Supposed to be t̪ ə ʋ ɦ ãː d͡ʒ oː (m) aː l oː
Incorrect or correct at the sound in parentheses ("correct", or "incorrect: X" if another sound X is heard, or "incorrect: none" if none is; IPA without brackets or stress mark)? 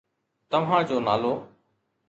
incorrect: n